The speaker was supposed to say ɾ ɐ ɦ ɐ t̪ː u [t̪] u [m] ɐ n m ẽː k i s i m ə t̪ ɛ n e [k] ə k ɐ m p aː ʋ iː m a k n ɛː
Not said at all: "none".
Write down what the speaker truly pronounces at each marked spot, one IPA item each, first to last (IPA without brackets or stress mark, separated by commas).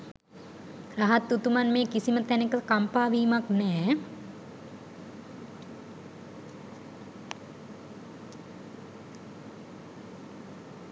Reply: t̪, m, k